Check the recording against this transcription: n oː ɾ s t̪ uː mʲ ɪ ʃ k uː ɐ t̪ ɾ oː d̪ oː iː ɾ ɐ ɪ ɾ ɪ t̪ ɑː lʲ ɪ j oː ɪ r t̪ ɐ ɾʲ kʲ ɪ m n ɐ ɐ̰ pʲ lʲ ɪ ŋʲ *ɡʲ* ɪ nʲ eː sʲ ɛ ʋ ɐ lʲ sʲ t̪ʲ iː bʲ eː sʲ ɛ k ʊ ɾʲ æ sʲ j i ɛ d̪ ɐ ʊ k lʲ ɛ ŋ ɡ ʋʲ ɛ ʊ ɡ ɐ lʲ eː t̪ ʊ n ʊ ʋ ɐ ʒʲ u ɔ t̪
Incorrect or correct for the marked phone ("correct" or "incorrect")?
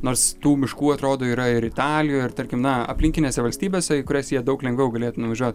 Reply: incorrect